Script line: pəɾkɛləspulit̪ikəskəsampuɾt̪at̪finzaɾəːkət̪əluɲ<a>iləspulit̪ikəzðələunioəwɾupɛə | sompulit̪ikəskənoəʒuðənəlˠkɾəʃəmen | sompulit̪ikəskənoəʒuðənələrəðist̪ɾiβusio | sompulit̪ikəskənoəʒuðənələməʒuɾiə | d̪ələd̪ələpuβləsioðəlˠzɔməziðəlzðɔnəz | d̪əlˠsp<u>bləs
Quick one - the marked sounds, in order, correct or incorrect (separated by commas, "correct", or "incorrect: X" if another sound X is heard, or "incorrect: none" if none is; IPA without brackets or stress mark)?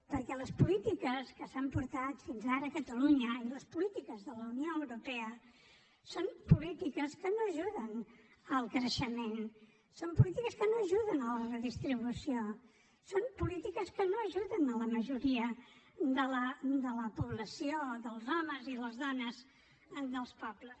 incorrect: ə, incorrect: ɔ